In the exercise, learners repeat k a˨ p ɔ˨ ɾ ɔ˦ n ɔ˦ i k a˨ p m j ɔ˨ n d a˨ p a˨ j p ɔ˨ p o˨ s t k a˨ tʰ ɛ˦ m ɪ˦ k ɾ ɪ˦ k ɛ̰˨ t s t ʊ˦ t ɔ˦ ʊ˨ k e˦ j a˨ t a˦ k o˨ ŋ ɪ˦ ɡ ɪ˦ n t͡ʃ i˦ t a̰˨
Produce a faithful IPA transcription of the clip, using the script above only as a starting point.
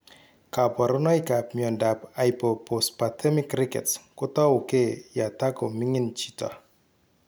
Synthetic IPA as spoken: k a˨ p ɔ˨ ɾ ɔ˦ n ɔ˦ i k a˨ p m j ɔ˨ n d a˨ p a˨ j p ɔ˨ p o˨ s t p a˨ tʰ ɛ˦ m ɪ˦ k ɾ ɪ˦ k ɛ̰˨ t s k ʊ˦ t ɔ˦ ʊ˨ k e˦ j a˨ t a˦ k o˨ m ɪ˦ ŋ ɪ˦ n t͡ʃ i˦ t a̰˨